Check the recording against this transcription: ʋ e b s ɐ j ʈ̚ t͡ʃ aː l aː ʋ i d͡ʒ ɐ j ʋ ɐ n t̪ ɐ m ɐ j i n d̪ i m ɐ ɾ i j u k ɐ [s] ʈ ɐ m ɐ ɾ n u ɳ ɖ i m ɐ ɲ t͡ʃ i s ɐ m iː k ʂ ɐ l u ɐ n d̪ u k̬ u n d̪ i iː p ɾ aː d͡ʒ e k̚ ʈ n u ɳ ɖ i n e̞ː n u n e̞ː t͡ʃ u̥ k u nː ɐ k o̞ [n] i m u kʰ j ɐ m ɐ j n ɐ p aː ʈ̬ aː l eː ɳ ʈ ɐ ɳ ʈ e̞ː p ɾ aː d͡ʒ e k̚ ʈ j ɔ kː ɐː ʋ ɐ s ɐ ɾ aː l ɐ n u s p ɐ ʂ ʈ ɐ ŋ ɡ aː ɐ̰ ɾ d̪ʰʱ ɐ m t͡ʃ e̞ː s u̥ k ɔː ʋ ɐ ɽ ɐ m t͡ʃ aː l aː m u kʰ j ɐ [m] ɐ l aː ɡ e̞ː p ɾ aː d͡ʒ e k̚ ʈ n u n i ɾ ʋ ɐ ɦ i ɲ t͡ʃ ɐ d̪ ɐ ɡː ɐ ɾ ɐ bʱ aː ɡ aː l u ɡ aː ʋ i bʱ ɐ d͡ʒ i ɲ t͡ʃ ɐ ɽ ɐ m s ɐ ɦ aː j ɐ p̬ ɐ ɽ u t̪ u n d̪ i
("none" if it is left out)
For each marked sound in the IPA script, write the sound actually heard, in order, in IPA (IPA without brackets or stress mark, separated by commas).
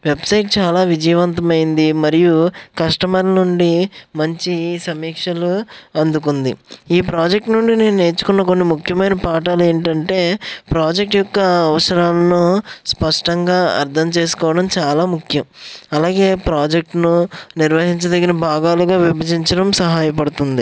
ʂ, nː, m